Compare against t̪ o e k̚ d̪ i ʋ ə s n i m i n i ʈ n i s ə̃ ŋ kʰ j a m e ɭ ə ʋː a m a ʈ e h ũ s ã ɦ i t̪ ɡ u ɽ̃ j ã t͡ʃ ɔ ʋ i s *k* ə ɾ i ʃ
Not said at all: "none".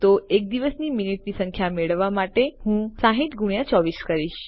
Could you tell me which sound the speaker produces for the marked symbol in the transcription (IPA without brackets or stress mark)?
k